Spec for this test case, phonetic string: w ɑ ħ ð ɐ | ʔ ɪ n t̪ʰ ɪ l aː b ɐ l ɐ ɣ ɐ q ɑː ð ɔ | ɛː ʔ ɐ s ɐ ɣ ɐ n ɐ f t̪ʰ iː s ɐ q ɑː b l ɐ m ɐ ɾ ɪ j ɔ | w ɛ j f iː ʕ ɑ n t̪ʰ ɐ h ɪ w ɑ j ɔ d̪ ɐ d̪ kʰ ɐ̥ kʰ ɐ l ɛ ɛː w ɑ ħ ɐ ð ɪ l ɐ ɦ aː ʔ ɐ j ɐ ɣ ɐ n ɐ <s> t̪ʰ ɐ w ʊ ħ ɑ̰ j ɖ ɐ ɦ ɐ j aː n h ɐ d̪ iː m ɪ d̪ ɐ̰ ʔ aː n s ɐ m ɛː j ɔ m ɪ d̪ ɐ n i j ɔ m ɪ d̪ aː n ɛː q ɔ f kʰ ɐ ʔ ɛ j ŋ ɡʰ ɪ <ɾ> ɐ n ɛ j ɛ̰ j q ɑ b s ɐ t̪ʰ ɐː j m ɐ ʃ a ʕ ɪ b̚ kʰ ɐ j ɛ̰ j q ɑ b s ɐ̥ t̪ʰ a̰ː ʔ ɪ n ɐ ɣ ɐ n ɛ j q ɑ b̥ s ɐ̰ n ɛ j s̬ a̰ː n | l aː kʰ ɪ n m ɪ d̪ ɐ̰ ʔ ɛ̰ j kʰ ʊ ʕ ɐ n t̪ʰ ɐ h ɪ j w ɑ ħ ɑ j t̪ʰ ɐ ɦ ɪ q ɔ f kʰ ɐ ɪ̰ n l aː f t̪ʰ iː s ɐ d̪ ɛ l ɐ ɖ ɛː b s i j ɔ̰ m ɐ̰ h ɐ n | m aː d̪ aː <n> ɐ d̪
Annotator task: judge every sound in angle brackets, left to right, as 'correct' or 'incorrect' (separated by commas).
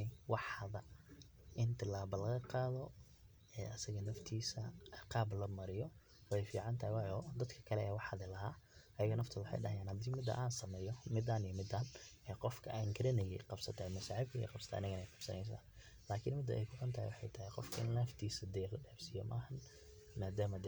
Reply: incorrect, correct, incorrect